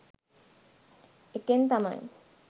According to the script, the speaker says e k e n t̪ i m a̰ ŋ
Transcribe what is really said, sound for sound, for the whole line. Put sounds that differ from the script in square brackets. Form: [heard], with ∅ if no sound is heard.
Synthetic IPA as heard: e k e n t̪ [a] m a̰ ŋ